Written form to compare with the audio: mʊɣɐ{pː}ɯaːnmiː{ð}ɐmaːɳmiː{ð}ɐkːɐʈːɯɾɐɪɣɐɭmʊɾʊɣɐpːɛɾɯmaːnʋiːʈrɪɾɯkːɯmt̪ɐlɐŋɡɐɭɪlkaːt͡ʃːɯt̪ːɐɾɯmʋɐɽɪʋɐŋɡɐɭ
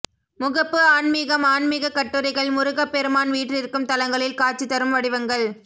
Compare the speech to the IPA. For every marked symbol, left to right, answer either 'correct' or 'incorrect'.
correct, incorrect: ɣ, incorrect: ɣ

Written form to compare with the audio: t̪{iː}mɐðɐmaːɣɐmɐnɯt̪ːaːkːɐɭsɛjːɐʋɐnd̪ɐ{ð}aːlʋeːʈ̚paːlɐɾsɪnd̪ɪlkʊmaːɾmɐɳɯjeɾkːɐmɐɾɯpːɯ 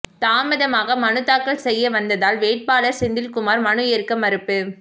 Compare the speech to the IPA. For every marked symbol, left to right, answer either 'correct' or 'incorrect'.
incorrect: aː, correct

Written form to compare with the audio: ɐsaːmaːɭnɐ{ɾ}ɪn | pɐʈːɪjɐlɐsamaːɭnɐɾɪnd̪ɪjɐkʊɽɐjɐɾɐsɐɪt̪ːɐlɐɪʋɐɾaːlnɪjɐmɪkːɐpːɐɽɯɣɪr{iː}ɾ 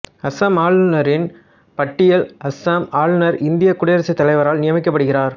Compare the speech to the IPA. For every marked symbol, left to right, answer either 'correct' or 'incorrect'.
correct, incorrect: aː

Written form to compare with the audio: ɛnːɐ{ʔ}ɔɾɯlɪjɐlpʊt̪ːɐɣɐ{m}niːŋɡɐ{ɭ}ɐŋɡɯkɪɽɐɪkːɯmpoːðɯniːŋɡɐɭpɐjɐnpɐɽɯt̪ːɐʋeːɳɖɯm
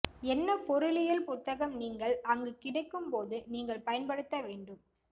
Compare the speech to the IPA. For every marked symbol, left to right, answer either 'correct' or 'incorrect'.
incorrect: p, correct, correct

